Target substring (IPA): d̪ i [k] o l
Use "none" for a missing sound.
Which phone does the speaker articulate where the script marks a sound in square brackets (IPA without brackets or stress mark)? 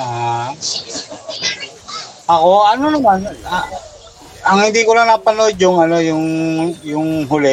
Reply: k